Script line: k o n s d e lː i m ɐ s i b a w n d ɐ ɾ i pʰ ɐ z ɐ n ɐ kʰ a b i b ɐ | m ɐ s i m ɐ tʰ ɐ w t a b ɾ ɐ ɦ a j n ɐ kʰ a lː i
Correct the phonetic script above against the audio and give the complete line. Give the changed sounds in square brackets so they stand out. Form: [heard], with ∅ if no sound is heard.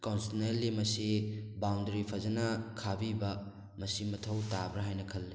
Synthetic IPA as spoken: k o n s [n] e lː i m ɐ s i b a w n d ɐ ɾ i pʰ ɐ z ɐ n ɐ kʰ a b i b ɐ | m ɐ s i m ɐ tʰ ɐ w t a b ɾ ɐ ɦ a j n ɐ kʰ [ɐ] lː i